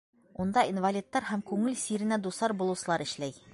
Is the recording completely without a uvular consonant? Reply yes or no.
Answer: yes